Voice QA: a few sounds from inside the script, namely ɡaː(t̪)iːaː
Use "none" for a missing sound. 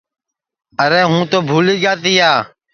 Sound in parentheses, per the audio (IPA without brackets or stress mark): t̪